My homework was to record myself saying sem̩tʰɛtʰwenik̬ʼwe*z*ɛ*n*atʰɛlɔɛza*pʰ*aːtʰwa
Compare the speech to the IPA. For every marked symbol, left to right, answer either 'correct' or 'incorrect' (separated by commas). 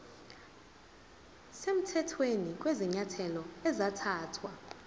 correct, incorrect, incorrect